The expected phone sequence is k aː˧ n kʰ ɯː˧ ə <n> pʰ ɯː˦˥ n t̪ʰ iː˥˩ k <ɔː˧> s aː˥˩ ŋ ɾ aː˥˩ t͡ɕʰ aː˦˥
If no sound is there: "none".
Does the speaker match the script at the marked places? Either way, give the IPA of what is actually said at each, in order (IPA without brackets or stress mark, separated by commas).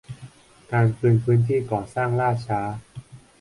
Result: n, ɔː˨˩